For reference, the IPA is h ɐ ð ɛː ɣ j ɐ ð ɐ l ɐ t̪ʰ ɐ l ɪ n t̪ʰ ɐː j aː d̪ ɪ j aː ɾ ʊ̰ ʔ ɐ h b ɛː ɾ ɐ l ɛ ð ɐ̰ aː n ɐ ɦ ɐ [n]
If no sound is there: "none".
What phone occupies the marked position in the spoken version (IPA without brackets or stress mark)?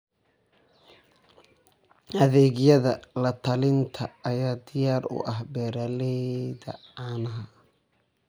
none